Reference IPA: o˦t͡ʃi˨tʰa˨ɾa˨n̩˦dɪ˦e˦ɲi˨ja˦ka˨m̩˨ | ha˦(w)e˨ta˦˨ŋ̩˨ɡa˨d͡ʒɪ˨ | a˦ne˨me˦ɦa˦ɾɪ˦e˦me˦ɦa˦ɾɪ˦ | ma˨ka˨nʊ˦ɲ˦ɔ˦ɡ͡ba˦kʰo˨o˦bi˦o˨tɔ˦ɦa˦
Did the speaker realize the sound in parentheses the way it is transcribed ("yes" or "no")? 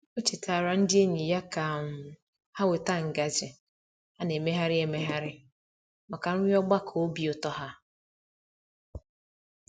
yes